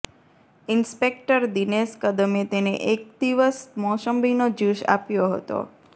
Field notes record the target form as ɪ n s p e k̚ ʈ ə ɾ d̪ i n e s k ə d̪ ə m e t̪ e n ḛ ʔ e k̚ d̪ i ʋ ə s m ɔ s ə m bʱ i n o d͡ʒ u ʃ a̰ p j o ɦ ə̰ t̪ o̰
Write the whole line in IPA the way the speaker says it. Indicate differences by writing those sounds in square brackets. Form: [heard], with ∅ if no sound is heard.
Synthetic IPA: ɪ n s p e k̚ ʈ ə ɾ d̪ i n e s k ə d̪ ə m e t̪ e n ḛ ʔ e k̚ d̪ i ʋ ə s m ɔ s ə m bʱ i n o d͡ʒ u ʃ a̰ p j o ɦ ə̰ t̪ o̰

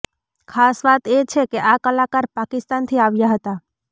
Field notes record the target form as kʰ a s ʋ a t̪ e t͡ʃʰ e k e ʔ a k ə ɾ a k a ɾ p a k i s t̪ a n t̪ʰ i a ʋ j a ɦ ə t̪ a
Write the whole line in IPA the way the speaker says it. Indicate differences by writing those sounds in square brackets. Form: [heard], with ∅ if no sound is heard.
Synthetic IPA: kʰ a s ʋ a t̪ e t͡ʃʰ e k e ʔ a k ə [l] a k a ɾ p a k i s t̪ a n t̪ʰ i a ʋ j a ɦ ə t̪ a

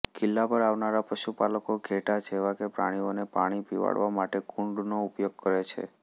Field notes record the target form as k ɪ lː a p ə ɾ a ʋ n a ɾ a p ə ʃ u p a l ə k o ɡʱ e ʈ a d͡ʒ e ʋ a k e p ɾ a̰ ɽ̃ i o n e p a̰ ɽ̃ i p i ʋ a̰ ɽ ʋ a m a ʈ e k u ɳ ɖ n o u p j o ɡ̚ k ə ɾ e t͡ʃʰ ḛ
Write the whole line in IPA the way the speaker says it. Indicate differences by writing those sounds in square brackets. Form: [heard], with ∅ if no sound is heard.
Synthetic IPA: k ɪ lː a p ə ɾ a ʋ n a ɾ a p ə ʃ u p a l ə k o ɡʱ e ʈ a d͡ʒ e ʋ a k e p ɾ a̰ ɽ̃ i o n e p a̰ ɽ̃ i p i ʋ a̰ ɽ ʋ a m a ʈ e k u ɳ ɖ n o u p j o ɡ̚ k ə ɾ e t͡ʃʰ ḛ

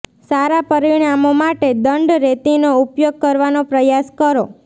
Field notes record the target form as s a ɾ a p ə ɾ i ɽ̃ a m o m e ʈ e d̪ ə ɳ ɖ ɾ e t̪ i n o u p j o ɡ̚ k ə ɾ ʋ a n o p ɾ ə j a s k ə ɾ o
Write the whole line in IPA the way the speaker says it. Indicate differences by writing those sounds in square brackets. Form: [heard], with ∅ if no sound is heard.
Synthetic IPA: s a ɾ a p ə ɾ i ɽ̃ a m o m [a] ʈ e d̪ ə ɳ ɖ ɾ e t̪ i n o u p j o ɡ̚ k ə ɾ ʋ a n o p ɾ ə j a s k ə ɾ o

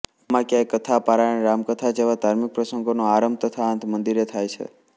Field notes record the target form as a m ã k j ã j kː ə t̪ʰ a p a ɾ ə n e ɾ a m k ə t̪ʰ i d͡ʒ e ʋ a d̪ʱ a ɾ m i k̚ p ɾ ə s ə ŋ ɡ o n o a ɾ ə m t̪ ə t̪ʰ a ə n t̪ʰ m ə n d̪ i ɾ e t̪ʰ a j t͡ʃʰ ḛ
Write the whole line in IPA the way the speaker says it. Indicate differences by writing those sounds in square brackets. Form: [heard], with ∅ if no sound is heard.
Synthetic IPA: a m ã k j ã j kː ə t̪ʰ a p a ɾ [a] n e ɾ a m k ə t̪ʰ [a] d͡ʒ e ʋ a d̪ʱ a ɾ m i k̚ p ɾ ə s ə ŋ ɡ o n o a ɾ ə m t̪ ə t̪ʰ a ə n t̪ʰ m ə n d̪ i ɾ e t̪ʰ a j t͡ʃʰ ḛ

